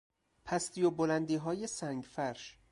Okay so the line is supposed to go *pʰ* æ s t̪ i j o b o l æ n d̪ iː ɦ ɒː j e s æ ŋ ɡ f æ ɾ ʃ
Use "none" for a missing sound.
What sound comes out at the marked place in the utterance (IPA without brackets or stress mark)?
pʰ